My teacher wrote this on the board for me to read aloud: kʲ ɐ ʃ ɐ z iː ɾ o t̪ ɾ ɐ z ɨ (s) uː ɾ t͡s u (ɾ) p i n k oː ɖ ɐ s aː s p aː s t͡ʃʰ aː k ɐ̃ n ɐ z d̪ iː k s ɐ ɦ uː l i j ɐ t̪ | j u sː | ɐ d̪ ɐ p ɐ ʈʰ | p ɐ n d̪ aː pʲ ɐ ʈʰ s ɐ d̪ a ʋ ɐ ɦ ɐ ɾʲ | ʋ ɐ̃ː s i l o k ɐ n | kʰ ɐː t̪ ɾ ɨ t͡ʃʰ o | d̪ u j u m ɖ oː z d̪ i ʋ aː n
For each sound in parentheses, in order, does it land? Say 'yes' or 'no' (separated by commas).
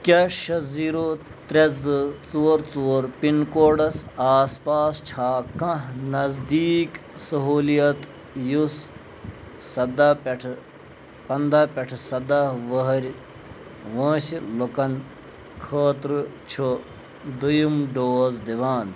no, yes